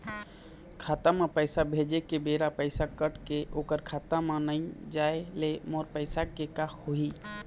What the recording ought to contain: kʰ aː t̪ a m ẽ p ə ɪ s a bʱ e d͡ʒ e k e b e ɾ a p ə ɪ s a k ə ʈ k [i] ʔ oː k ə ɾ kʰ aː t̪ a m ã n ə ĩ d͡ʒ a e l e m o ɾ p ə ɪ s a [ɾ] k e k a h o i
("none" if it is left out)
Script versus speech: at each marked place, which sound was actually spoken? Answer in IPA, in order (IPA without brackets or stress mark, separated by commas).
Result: e, none